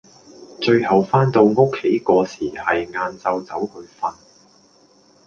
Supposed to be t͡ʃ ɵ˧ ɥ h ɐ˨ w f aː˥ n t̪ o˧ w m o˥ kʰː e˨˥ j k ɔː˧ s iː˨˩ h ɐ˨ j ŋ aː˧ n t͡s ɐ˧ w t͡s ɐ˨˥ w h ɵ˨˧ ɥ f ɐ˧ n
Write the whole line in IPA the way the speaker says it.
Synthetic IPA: t͡ʃ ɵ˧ ɥ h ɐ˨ w f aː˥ n t̪ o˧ w ŋ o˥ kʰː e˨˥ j k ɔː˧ s iː˨˩ h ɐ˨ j ŋ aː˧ n t͡s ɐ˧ w t͡s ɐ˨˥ w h ɵ˨˧ ɥ f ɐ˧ n